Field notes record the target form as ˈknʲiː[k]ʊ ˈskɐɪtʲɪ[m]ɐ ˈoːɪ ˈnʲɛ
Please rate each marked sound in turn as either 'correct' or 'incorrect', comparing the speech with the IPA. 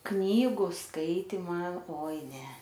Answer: incorrect: ɡ, correct

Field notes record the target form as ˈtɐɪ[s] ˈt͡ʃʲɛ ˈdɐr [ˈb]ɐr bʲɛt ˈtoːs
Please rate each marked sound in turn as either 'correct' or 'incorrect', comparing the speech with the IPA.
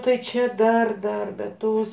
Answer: incorrect: none, incorrect: d

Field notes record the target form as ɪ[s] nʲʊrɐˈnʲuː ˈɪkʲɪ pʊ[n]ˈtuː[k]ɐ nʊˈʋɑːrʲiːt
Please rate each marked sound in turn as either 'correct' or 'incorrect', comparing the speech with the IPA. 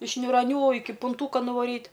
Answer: incorrect: ʃ, correct, correct

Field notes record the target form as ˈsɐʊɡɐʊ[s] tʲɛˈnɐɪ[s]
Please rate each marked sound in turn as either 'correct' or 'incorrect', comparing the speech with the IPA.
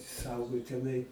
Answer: incorrect: none, incorrect: none

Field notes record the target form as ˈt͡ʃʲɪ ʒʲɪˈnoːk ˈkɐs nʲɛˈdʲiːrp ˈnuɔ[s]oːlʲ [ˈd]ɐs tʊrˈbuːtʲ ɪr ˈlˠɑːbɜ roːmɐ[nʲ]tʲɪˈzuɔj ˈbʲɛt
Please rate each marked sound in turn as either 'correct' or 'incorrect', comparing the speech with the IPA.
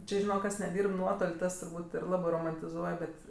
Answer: incorrect: t, incorrect: t, correct

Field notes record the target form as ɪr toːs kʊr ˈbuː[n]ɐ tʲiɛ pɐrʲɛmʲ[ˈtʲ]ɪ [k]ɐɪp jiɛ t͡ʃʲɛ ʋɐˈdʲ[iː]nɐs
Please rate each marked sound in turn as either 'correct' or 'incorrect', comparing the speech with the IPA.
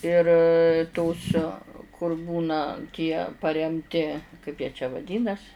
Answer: correct, correct, correct, correct

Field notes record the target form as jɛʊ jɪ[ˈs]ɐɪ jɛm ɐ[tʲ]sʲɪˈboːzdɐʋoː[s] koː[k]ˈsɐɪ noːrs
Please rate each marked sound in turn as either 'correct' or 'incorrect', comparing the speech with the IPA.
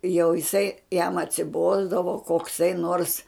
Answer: correct, correct, incorrect: none, correct

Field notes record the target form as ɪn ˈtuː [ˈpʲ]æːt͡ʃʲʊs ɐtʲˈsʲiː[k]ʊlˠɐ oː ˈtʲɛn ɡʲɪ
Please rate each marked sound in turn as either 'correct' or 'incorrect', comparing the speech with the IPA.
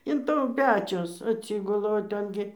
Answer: correct, incorrect: ɡ

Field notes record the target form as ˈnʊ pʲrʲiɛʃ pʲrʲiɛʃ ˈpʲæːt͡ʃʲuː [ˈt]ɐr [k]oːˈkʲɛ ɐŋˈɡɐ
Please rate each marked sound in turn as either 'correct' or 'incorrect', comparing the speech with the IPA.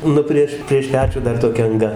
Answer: incorrect: d, incorrect: t

